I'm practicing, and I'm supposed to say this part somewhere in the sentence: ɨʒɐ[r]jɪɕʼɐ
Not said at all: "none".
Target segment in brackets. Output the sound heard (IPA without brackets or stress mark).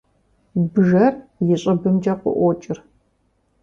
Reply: r